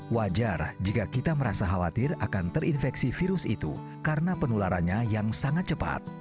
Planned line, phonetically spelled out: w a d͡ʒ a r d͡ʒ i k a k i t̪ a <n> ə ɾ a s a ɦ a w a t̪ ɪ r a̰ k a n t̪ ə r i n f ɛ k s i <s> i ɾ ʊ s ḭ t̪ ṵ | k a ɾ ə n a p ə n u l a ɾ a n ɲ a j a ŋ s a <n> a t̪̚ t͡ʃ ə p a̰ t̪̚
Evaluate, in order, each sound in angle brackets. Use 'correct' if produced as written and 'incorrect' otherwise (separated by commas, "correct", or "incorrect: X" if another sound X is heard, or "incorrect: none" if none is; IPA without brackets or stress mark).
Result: incorrect: m, incorrect: f, incorrect: ŋ